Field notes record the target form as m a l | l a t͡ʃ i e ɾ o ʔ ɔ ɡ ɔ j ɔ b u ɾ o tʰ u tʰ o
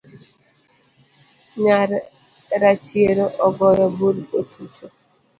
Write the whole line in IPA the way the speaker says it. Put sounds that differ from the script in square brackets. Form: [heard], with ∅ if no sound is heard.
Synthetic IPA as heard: [ɲ] a [ɾ] | [ɾ] a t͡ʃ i e ɾ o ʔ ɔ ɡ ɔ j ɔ b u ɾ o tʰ u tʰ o